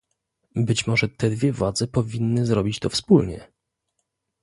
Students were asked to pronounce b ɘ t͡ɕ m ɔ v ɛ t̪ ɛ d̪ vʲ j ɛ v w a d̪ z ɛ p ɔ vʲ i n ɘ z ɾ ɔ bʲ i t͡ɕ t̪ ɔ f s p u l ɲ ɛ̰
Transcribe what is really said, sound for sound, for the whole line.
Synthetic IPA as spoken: b ɘ t͡ɕ m ɔ ʐ ɛ t̪ ɛ d̪ vʲ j ɛ v w a d̪ z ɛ p ɔ vʲ i nː ɘ z ɾ ɔ bʲ i t͡ɕ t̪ ɔ f s p u l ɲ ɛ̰